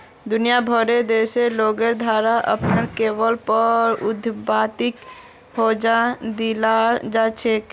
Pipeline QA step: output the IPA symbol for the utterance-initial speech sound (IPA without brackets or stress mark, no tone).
d̪